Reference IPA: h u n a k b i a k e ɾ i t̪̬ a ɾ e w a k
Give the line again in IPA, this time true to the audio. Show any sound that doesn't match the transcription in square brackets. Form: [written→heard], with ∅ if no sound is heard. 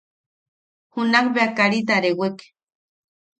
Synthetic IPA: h u n a k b [i→e] a k [e→a] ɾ i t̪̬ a ɾ e w [a→e] k